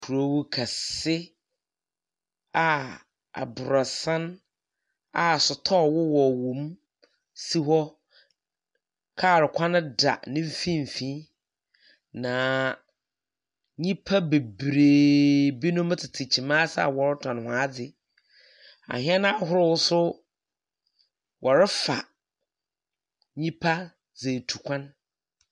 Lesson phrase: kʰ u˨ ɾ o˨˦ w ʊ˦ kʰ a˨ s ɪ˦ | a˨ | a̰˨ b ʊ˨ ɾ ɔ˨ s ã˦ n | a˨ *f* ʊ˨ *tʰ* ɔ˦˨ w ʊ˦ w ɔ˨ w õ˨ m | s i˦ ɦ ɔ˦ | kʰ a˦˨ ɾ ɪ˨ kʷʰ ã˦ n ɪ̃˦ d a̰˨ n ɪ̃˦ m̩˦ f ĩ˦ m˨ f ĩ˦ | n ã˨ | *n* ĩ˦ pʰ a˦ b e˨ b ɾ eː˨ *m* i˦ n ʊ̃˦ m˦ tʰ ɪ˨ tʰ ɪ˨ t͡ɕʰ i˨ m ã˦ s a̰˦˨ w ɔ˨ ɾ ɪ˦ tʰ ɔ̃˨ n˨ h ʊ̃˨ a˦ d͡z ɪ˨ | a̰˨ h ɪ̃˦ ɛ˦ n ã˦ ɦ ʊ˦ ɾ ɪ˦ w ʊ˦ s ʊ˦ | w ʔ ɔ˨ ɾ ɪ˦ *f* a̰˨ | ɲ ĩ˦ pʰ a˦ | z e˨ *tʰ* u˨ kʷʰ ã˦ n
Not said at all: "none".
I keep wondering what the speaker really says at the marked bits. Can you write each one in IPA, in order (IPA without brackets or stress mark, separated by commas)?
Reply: s, tʰ, ɲ, b, f, tʰ